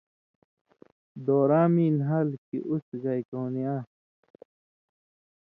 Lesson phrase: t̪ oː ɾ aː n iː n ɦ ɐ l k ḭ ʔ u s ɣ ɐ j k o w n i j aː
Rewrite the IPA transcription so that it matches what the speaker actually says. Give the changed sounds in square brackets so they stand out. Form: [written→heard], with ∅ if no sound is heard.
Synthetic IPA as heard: [t̪→d̪] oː ɾ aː [n→m] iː n ɦ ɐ l k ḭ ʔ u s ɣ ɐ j k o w n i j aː